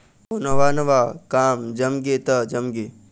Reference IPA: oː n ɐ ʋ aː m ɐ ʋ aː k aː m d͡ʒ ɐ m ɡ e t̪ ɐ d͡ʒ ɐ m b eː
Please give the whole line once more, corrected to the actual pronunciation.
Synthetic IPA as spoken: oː n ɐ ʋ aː n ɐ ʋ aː k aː m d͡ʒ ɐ m ɡ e t̪ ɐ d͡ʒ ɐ m ɡ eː